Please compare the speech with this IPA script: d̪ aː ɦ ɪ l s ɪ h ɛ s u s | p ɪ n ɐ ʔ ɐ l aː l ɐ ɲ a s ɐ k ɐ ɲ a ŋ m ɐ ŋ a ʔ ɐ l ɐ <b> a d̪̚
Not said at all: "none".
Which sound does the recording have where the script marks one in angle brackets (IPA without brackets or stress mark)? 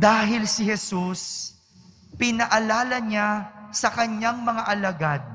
ɡ